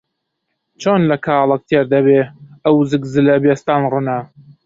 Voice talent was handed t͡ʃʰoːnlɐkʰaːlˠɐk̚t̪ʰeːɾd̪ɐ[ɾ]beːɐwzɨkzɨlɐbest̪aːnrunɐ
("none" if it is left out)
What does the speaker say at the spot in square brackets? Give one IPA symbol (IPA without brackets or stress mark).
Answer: none